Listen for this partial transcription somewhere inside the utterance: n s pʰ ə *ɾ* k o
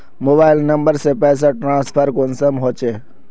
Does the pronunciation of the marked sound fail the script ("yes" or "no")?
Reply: no